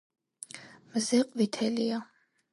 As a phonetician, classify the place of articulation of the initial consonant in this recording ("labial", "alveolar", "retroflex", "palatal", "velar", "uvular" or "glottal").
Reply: labial